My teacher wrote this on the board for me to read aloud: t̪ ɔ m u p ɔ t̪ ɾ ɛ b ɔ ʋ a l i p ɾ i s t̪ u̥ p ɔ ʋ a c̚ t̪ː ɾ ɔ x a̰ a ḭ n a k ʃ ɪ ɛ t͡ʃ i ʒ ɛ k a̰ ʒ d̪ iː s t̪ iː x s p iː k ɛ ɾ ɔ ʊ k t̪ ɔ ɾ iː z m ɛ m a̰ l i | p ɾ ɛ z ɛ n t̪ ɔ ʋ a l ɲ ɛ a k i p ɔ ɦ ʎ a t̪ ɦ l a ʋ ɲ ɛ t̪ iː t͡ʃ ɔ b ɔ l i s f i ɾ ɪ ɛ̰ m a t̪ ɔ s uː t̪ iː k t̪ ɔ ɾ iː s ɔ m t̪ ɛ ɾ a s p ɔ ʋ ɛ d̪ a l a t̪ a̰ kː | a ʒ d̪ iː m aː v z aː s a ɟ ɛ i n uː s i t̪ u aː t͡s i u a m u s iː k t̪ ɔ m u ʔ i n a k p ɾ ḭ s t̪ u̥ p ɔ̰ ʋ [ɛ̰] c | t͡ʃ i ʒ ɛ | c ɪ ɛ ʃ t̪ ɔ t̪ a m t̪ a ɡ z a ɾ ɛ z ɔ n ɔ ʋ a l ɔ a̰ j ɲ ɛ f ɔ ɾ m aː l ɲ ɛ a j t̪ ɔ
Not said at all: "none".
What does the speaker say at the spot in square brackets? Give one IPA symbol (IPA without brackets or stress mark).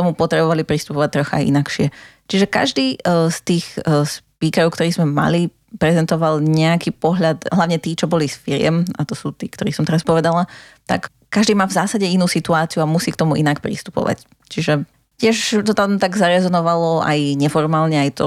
a̰